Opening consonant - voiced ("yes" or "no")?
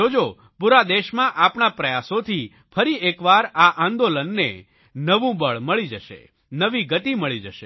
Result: yes